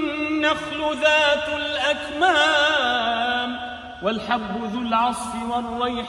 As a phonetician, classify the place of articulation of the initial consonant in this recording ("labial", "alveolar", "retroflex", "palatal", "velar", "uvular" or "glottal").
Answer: labial